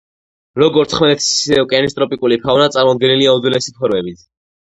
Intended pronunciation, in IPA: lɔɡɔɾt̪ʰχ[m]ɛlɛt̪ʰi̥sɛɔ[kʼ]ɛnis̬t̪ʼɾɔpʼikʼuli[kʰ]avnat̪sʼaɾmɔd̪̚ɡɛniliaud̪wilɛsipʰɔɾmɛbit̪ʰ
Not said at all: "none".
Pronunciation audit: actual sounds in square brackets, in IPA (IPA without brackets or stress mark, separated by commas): m, kʼ, pʰ